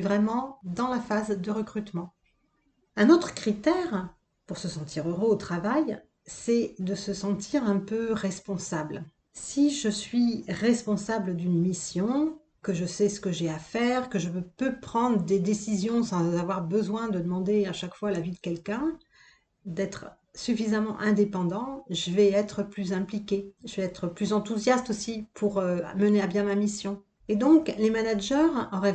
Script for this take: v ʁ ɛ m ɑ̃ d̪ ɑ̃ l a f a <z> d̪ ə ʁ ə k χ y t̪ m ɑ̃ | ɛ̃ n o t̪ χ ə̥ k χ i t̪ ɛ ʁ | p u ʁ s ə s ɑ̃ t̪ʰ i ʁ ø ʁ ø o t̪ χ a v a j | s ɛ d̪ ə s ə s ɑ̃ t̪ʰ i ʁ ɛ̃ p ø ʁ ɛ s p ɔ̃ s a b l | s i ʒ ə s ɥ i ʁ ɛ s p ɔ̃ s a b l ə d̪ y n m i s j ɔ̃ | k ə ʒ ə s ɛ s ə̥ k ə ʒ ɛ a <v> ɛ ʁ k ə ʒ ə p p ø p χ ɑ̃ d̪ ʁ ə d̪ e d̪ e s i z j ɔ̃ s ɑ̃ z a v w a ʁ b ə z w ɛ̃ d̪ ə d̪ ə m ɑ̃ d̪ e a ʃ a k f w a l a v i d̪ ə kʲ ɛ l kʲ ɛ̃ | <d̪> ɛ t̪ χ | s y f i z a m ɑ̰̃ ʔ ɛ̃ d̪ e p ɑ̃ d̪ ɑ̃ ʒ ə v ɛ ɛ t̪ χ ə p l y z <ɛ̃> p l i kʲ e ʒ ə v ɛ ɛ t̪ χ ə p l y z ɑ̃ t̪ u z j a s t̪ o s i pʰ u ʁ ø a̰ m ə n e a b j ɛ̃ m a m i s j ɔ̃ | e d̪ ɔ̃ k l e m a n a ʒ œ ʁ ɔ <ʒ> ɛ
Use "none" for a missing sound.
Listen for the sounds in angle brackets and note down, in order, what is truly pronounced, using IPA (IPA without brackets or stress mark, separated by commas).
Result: z, f, d̪, ɛ̃, ʁ